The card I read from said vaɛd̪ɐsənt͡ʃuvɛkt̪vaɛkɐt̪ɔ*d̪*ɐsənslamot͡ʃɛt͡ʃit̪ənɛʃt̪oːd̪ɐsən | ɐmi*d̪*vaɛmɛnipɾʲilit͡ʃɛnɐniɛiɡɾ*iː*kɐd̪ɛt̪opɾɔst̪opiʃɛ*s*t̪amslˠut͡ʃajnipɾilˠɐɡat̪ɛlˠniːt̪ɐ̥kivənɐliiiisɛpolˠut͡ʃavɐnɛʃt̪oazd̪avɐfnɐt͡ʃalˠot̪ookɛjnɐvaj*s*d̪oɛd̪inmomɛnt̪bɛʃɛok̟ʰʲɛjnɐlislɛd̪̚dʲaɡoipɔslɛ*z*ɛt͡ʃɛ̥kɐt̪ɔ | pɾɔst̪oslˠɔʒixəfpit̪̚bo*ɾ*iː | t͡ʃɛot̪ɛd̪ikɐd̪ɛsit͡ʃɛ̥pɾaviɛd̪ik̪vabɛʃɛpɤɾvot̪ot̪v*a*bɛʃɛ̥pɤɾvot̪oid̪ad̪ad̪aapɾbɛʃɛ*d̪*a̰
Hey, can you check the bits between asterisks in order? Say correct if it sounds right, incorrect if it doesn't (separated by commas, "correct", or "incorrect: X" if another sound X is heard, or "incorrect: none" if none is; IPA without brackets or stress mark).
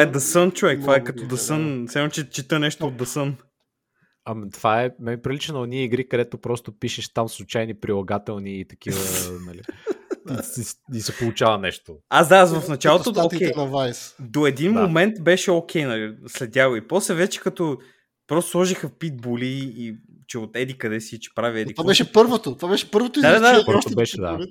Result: correct, incorrect: t̪, incorrect: i, incorrect: ʃ, correct, incorrect: v, incorrect: l, correct, correct